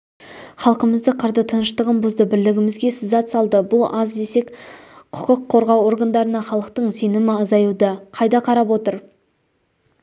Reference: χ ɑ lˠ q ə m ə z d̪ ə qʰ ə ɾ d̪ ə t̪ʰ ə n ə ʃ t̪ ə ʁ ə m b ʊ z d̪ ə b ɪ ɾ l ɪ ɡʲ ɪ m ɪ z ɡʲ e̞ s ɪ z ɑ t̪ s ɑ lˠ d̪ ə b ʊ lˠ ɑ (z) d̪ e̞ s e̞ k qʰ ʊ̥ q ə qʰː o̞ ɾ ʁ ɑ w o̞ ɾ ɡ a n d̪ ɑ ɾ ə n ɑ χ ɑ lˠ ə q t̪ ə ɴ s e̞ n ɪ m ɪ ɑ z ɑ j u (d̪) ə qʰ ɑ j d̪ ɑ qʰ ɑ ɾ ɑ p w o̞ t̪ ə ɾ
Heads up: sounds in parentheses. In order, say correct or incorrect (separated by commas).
correct, correct